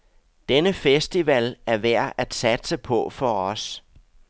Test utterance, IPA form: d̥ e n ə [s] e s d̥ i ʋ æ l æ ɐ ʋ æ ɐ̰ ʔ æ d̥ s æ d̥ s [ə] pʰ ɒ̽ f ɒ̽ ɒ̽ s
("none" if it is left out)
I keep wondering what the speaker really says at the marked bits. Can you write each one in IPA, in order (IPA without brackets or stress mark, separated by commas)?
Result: f, ə